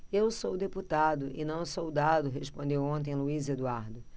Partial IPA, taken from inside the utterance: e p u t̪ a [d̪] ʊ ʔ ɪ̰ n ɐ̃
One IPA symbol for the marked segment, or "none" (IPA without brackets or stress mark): d̪